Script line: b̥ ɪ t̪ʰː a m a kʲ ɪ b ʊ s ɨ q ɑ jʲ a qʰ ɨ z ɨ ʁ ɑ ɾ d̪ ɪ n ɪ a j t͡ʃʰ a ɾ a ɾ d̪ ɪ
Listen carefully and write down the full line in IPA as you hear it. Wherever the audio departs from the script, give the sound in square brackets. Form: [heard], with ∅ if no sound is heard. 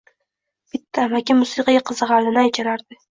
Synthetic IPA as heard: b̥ ɪ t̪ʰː a m a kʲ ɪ [m] ʊ s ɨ q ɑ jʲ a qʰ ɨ z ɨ ʁ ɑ ɾ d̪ ɪ n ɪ a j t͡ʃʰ a ɾ a ɾ d̪ ɪ